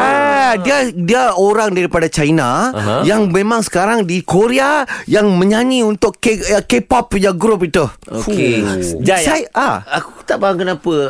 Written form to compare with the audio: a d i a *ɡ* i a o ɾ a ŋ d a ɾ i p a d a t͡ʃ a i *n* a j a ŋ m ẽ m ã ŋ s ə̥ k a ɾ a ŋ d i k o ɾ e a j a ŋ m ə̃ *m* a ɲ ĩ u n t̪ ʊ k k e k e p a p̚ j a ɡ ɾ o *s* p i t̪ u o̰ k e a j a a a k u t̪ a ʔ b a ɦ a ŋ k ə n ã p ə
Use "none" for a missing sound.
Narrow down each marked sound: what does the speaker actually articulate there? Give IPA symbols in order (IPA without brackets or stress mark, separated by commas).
d, n, ɲ, none